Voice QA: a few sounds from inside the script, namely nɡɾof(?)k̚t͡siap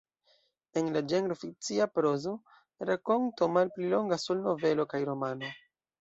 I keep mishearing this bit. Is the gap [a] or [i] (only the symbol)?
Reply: i